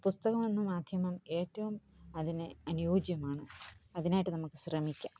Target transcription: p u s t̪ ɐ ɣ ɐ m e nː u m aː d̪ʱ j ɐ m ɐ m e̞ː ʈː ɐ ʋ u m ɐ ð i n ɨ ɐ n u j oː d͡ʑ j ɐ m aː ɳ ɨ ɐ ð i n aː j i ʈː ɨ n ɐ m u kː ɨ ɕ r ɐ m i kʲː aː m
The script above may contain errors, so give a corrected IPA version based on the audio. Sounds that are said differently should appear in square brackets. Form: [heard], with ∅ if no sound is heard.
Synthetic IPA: p u s t̪ ɐ ɣ ɐ m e nː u m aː d̪ʱ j ɐ m ɐ m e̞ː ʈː ɐ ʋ u m ɐ ð i n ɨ ɐ n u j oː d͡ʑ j ɐ m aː ɳ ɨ ɐ ð i n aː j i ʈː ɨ n ɐ m u kː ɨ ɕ r ɐ m i kʲː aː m